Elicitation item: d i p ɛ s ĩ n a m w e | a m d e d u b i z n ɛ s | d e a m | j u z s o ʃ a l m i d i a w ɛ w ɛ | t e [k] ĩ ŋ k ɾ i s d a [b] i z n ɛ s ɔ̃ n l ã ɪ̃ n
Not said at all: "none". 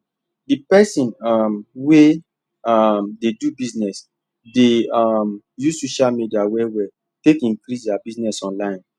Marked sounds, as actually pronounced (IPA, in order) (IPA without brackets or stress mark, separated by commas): k, b